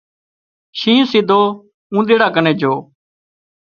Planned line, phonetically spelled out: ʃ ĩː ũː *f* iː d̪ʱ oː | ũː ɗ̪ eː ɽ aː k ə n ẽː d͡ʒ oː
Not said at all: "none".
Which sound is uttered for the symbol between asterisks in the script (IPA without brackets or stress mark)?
s